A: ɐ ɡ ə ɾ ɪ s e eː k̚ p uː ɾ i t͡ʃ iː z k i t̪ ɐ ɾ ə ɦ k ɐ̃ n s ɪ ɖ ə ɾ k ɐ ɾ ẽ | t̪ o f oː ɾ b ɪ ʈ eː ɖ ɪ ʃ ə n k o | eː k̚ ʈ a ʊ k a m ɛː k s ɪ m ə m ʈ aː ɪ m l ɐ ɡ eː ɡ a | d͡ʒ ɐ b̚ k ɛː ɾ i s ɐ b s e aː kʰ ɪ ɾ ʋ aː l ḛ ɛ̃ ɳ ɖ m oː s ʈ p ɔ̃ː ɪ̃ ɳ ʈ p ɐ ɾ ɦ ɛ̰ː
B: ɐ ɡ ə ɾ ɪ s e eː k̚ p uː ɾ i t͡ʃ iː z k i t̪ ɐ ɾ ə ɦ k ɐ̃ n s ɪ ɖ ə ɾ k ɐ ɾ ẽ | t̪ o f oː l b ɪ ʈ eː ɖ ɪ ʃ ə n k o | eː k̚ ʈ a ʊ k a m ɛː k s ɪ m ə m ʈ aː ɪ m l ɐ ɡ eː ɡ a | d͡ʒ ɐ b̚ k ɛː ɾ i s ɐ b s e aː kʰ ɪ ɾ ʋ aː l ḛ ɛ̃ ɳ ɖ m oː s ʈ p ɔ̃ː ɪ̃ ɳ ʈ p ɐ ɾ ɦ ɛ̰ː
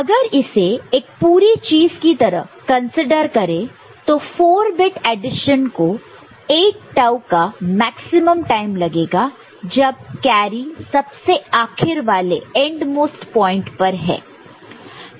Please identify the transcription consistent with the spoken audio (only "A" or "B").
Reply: A